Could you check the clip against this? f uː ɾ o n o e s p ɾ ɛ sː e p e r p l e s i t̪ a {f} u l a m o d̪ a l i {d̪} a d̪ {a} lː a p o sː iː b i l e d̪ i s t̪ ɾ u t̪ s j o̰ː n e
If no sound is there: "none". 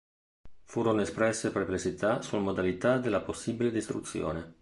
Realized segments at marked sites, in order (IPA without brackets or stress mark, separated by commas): s, t̪, e